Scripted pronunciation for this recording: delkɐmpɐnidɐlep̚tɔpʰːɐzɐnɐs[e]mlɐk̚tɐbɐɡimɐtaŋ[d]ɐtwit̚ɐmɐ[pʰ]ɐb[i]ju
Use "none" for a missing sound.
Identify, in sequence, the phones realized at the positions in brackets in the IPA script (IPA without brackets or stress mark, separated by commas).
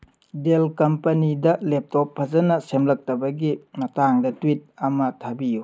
e, d, tʰ, i